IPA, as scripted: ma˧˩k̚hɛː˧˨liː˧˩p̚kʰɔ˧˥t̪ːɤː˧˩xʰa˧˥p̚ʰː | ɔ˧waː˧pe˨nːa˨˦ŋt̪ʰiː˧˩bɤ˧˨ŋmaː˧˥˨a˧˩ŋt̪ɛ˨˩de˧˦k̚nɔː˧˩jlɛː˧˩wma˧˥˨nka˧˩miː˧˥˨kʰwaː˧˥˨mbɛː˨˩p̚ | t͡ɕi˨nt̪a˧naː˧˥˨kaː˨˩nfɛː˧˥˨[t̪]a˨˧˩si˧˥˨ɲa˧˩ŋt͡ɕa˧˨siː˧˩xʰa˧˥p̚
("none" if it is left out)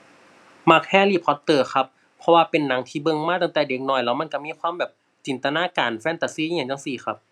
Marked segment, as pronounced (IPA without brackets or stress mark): t̪